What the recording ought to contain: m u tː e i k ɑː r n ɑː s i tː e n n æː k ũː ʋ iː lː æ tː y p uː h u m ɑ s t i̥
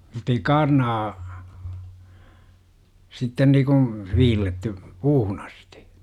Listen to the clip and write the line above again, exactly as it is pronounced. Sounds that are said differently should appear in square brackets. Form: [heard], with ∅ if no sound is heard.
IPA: m u tː e i k ɑː r n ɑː s i tː e n n [iː] k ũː ʋ iː lː [e] tː y p uː h u [n] ɑ s t i̥